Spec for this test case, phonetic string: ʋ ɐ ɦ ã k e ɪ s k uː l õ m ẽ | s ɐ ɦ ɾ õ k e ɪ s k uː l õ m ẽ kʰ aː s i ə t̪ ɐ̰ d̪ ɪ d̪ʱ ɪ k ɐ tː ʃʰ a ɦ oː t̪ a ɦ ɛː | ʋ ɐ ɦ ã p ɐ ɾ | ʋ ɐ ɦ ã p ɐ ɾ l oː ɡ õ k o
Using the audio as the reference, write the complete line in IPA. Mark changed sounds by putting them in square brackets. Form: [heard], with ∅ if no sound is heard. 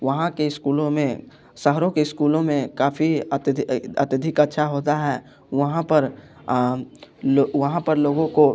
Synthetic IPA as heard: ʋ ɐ ɦ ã k e ɪ s k uː l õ m ẽ | s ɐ ɦ ɾ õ k e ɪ s k uː l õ m ẽ [k] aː [f] i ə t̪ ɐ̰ [t̪] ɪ d̪ʱ ɪ k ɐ tː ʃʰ a ɦ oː t̪ a ɦ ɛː | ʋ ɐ ɦ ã p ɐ ɾ | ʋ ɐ ɦ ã p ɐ ɾ l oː ɡ õ k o